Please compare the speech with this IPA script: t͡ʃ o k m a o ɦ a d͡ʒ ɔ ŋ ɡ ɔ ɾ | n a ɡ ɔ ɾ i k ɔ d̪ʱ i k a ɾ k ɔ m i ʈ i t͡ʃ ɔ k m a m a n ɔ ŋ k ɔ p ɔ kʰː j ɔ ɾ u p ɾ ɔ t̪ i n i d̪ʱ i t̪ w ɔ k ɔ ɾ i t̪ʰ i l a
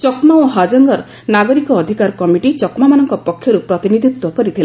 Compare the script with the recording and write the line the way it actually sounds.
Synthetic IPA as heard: t͡ʃ ɔ k m a o ɦ a d͡ʒ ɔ ŋ ɡ ɔ ɾ | n a ɡ ɔ ɾ i k ɔː d̪ʱ i k a ɾ k ɔ m i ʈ i t͡ʃ ɔ k m a m a n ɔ ŋ k ɔ p ɔ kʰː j ɔ ɾ u p ɾ ɔ t̪ i n i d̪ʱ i t̪ w ɔ k ɔ ɾ i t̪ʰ i l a